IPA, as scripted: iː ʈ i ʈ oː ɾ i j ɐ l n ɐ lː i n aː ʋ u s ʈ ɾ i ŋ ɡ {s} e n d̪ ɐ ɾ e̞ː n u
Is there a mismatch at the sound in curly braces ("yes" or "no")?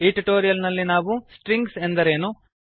no